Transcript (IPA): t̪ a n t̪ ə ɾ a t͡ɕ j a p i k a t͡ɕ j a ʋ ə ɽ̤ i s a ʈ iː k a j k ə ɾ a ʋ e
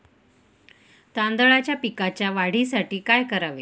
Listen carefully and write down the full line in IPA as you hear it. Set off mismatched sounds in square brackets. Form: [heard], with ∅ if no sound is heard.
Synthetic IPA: t̪ a n [d̪] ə [ɭ] a t͡ɕ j a p i k a t͡ɕ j a ʋ [a] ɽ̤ i s a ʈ iː k a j k ə ɾ a ʋ e